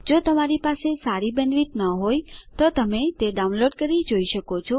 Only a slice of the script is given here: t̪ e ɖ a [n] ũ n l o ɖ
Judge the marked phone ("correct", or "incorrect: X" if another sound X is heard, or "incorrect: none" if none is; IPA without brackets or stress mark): incorrect: none